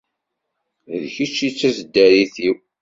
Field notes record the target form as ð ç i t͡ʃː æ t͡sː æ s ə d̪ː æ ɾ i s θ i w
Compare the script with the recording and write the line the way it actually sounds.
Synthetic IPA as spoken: ð ç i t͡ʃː i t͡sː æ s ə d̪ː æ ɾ i θ i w

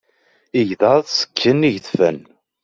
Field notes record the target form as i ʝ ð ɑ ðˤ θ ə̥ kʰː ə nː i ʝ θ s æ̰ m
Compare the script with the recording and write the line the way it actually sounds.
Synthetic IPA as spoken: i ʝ ð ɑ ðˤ s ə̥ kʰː ə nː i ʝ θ f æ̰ n

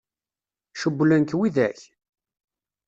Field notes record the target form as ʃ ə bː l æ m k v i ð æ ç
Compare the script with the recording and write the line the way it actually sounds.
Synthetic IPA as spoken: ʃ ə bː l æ n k w i ð æ ç

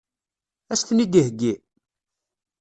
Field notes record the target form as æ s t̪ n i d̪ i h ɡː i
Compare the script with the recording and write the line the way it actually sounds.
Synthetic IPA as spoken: æ s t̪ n i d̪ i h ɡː i

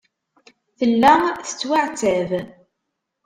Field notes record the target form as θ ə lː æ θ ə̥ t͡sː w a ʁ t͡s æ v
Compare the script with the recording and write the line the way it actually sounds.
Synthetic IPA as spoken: θ ə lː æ θ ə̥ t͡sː w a ʕ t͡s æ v

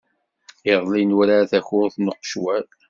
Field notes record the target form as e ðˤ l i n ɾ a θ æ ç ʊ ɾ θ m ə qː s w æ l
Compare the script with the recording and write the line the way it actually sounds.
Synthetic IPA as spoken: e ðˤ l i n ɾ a θ æ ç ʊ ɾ θ n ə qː ʃ w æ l

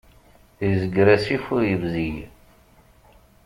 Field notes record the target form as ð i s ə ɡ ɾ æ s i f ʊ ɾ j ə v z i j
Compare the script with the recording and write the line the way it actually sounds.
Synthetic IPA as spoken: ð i z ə ɡ ɾ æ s i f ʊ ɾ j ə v z i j

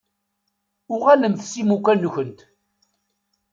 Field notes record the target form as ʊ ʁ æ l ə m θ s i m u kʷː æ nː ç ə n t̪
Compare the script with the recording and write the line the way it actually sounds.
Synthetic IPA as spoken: ʊ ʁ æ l ə m θ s i m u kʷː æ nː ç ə n t̪

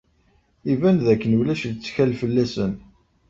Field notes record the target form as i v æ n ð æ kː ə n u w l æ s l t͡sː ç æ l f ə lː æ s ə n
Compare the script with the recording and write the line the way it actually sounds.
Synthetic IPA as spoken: i v æ n ð æ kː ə n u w l æ ʃ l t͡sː ç æ l f ə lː æ s ə n

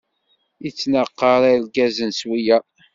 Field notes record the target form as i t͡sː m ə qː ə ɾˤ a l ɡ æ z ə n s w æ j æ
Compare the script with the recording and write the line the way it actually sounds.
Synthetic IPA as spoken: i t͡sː n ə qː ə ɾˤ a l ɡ æ z ə n s w i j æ

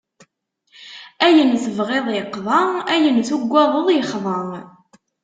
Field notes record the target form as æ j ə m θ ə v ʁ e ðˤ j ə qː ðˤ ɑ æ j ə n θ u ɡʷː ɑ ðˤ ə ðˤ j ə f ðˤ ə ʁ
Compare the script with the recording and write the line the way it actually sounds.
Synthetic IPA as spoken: æ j ə n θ ə v ʁ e ðˤ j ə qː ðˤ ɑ æ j ə n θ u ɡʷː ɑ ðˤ ə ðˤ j ə χ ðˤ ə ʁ

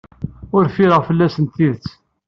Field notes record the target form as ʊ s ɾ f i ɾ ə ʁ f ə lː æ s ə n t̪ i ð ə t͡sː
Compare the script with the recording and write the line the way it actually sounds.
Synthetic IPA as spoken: ʊ ɾ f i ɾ ə ʁ f ə lː æ s ə n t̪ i ð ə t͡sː

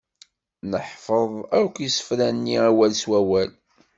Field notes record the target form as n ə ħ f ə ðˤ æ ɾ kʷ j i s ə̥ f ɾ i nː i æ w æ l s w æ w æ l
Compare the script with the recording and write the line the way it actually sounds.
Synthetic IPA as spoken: n ə ħ f ə ðˤ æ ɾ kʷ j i s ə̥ f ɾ æ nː i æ w æ l s w æ w æ l

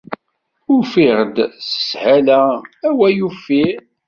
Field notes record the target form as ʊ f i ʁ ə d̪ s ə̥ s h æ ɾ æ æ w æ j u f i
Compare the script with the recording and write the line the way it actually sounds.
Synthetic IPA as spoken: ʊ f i ʁ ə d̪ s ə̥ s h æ l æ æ w æ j u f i

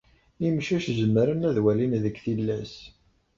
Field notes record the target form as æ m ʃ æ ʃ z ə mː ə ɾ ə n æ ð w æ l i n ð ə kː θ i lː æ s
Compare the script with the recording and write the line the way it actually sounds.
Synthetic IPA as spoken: i m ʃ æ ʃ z ə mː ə ɾ ə n æ ð w æ l i n ð ə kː θ i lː æ s

